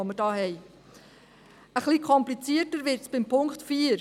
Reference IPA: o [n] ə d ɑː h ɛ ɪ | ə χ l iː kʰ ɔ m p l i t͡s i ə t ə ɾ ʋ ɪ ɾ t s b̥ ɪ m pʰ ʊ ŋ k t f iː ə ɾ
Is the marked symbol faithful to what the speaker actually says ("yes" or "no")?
no